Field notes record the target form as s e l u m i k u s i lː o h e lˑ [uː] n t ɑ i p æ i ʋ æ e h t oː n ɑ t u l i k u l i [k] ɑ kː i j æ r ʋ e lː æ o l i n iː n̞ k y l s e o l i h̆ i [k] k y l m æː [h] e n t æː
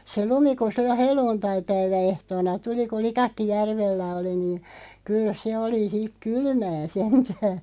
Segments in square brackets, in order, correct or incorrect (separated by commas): correct, correct, correct, incorrect